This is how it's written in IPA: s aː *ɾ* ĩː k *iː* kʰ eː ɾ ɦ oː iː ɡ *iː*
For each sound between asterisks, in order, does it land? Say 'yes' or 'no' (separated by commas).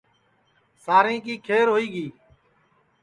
yes, yes, yes